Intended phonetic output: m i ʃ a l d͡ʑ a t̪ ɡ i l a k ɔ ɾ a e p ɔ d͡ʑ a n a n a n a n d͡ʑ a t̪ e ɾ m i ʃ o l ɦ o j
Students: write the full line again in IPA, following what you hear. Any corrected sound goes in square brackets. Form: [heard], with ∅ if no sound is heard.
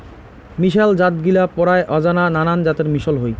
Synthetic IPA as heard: m i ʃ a l d͡ʑ a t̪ ɡ i l a [p] ɔ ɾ a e [ʔ] ɔ d͡ʑ a n a n a n a n d͡ʑ a t̪ e ɾ m i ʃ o l ɦ o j